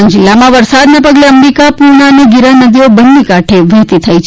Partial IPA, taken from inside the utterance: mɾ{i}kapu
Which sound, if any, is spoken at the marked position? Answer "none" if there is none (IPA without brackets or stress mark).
i